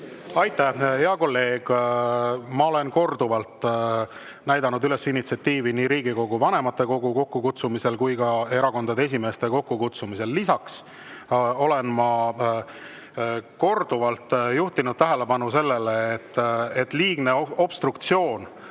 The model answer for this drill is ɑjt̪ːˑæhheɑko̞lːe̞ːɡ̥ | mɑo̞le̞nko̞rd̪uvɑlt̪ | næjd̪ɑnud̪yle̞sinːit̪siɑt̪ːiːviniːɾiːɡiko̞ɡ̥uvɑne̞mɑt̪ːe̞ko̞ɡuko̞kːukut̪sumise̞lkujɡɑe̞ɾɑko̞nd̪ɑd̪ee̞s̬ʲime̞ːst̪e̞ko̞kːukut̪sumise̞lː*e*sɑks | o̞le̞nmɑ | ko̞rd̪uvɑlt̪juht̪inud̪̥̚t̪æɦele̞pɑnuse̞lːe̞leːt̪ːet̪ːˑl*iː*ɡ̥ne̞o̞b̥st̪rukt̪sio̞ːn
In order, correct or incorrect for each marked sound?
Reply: incorrect: i, correct

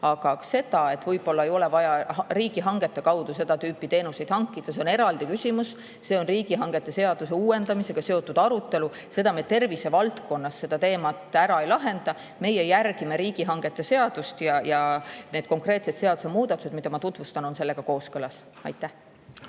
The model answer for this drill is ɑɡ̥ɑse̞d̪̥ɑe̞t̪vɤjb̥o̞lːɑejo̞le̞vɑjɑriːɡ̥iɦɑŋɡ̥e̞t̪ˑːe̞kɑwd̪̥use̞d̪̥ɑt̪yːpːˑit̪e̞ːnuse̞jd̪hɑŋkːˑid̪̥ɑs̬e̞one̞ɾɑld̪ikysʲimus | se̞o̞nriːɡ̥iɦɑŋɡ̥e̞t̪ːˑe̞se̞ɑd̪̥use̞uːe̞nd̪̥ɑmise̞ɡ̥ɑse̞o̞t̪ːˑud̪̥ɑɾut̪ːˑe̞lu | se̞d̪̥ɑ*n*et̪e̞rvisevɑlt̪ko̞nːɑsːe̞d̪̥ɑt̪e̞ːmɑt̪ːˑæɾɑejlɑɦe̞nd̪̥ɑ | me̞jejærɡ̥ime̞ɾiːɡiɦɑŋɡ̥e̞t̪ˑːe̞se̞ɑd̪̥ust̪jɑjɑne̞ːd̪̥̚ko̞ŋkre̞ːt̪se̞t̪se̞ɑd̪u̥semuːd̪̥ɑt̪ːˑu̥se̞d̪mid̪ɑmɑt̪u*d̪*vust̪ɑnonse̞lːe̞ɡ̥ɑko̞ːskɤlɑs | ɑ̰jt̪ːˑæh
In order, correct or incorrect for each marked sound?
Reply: incorrect: m, incorrect: t̪

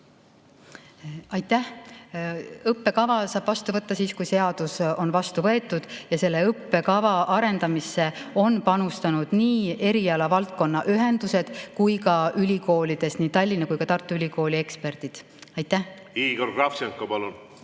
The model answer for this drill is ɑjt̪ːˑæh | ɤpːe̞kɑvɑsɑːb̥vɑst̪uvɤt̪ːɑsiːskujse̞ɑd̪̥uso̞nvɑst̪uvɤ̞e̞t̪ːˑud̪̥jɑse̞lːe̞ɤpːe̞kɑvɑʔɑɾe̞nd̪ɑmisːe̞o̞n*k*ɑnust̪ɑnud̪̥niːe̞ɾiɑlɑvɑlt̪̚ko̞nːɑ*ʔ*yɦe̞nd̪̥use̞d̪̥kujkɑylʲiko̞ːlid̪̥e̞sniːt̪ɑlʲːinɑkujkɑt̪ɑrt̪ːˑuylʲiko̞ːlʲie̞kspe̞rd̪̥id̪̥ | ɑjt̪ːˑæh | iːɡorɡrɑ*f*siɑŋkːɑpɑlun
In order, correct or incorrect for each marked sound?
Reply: incorrect: p, correct, correct

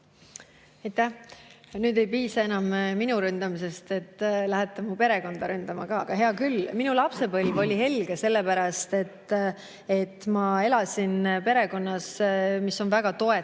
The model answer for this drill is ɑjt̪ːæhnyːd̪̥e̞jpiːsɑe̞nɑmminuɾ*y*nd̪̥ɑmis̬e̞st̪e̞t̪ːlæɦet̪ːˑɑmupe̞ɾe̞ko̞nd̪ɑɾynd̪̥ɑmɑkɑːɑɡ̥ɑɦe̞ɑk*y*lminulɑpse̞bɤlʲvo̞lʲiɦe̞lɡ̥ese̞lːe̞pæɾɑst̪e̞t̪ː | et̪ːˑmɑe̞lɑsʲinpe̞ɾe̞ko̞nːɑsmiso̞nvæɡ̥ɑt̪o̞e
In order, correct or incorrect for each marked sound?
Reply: correct, correct

